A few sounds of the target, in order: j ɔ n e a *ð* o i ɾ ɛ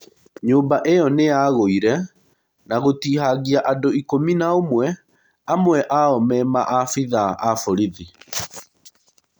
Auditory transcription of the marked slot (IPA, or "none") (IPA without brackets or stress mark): ɣ